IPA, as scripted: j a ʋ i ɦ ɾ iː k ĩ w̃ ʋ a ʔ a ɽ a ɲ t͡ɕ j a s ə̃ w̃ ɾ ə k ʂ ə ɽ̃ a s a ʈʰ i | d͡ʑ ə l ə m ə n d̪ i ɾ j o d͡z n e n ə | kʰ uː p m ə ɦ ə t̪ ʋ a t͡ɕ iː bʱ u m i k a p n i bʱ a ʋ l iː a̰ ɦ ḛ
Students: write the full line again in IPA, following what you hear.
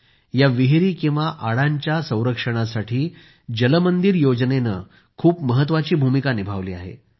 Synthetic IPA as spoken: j a ʋ i ɦ ɾ iː k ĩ w̃ ʋ a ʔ a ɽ a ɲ t͡ɕ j a s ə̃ w̃ ɾ ə k ʂ ə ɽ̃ a s a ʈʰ iː | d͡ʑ ə l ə m ə n d̪ i ɾ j o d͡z n e n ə | kʰ uː p m ə ɦ ə t̪ ʋ a t͡ɕ iː bʱ u m i k a n i bʱ a ʋ l iː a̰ ɦ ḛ